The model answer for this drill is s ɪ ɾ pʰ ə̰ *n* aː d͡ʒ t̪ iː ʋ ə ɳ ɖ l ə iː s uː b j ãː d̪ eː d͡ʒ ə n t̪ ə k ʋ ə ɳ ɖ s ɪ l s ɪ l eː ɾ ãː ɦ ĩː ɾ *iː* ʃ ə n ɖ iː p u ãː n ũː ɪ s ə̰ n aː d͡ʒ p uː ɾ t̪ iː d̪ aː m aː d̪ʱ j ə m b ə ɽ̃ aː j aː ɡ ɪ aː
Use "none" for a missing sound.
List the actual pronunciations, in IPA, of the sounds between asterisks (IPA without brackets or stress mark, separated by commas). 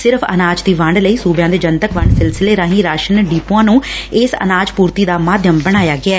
n, aː